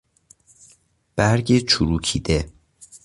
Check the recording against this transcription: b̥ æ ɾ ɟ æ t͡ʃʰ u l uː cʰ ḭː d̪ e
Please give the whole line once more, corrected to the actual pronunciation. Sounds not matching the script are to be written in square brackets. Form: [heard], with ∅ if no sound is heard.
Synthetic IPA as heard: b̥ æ ɾ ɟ [e] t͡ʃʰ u [ɾ] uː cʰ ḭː d̪ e